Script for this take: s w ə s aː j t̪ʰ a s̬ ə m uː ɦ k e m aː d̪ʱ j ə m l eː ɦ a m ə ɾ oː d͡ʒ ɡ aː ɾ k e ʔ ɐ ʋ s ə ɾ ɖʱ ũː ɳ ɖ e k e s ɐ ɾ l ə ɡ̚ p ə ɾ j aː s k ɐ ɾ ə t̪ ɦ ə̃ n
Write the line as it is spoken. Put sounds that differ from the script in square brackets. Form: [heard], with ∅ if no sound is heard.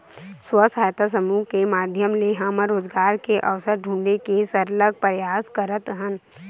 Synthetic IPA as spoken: s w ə s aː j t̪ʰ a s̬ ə m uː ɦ k e m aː d̪ʱ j ə m l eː ɦ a m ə ɾ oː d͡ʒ ɡ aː ɾ k e ʔ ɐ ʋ s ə ɾ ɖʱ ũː ɳ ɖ e k e s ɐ ɾ l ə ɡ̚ p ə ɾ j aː s k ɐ ɾ ə t̪ ɦ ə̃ n